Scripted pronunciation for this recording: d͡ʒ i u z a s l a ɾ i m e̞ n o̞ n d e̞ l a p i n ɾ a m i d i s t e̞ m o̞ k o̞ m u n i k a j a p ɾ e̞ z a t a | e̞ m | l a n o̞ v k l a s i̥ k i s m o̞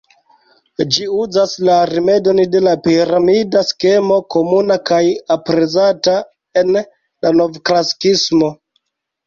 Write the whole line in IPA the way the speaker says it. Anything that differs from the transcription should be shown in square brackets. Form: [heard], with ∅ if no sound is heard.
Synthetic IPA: d͡ʒ i u z a s l a ɾ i m e̞ [d] o̞ n d e̞ l a p i [∅] ɾ a m i d [a] s [k] e̞ m o̞ k o̞ m u n [a] k a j a p ɾ e̞ z a t a | e̞ [n] | l a n o̞ v k l a s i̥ k i s m o̞